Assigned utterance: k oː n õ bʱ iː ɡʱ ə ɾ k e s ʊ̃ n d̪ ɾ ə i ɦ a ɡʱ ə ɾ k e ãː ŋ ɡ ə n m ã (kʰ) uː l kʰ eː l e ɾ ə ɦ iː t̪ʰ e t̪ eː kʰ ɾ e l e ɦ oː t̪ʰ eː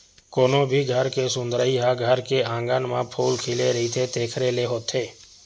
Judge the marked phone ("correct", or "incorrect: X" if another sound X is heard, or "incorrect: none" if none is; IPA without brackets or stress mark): incorrect: pʰ